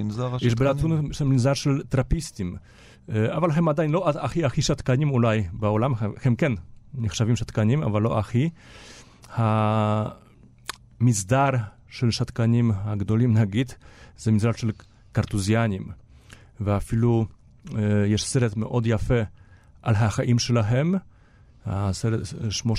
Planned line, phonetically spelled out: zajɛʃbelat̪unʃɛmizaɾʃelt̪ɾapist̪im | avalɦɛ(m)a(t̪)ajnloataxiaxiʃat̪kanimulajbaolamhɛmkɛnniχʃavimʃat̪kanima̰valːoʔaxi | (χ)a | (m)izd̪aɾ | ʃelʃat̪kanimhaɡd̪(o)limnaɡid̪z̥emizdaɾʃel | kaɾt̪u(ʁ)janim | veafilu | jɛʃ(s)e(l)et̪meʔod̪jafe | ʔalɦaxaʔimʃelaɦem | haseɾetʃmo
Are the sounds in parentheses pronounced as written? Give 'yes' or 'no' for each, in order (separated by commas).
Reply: yes, no, no, yes, yes, no, yes, no